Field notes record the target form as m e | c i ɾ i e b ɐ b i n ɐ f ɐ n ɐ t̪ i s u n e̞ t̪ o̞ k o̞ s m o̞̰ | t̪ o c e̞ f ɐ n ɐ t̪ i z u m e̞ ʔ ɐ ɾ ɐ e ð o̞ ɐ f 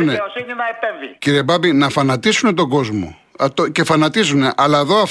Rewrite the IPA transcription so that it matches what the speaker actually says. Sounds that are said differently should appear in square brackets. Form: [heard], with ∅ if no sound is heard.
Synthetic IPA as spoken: [n] e | c i ɾ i e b ɐ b i n ɐ f ɐ n ɐ t̪ i s u n e̞ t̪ o̞ [ɡ] o̞ [z] m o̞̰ | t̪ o c e̞ f ɐ n ɐ t̪ i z u [n] e̞ ʔ ɐ [l] ɐ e ð o̞ ɐ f